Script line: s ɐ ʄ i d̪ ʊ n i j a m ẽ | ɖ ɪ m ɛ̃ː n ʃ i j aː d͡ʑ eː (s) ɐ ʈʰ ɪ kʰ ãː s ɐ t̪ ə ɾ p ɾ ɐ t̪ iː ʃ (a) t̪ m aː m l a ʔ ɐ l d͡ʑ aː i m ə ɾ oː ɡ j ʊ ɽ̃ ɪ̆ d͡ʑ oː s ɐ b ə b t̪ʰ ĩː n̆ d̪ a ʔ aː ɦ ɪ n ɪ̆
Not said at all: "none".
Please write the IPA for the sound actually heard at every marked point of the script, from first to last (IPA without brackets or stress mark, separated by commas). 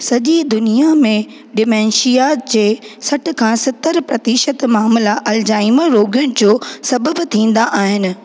s, ə